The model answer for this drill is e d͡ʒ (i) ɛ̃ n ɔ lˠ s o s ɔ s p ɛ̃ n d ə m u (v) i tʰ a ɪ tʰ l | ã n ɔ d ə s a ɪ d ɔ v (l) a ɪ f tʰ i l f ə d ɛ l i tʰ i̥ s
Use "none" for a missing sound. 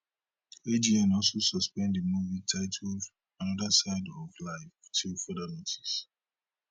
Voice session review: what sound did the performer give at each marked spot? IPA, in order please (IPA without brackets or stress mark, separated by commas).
i, v, l